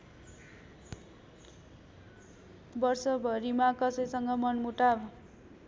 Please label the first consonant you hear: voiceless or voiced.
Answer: voiced